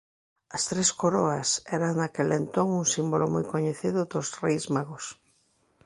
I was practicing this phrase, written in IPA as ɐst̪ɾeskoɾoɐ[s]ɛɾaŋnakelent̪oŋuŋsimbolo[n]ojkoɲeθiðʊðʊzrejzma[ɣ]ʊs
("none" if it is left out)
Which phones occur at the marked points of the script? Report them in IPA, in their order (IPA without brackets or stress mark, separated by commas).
s, m, ɣ